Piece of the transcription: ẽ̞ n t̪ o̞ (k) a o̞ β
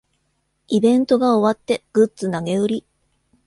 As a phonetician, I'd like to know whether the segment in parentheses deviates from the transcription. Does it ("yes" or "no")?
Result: yes